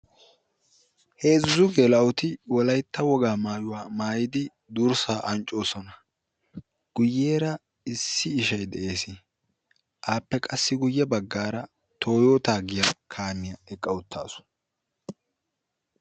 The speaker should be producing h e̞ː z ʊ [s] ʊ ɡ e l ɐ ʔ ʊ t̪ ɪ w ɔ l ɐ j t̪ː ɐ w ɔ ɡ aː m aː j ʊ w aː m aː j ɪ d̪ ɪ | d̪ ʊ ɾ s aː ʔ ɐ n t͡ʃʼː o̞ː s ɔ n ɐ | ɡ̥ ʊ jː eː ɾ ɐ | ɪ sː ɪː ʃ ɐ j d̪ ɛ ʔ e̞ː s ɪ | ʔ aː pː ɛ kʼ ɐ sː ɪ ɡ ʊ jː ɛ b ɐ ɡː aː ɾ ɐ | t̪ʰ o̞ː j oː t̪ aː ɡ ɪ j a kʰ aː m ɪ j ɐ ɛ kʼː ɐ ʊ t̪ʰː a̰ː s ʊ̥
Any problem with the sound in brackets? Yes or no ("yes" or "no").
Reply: yes